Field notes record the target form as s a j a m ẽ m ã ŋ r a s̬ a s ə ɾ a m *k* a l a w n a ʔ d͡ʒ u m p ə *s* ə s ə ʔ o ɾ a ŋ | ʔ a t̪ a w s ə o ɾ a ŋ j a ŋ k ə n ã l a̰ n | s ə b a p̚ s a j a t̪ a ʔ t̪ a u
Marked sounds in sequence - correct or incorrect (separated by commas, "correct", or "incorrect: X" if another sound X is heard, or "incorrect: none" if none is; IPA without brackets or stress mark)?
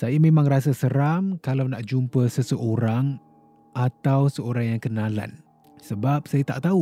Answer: correct, correct